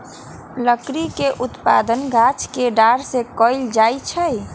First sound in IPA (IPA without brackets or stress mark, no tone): l